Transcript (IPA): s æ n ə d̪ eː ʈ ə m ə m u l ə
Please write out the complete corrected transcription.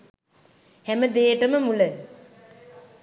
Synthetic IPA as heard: h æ m ə d̪ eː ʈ ə m ə m u l ə